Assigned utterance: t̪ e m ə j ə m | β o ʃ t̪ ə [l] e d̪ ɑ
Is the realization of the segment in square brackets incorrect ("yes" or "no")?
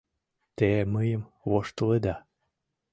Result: no